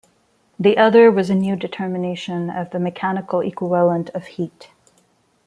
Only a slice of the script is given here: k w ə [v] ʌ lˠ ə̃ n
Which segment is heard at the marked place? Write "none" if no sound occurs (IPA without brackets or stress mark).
v